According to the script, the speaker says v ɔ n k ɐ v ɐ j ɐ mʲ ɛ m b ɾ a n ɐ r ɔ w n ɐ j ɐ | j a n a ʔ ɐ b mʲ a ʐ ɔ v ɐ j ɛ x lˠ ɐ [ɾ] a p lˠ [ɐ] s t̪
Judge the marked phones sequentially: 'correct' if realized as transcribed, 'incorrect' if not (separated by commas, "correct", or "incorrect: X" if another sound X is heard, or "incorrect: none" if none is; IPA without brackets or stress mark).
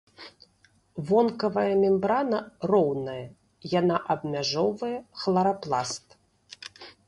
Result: correct, incorrect: a